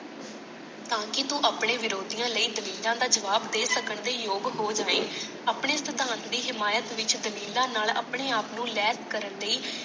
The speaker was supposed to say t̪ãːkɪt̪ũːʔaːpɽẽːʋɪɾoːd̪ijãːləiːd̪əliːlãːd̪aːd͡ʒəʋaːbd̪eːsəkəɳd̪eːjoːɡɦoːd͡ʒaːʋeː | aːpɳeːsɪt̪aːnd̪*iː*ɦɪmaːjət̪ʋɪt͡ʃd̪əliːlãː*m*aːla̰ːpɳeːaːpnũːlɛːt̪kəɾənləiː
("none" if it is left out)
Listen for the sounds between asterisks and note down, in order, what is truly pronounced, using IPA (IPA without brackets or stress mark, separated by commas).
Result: iː, n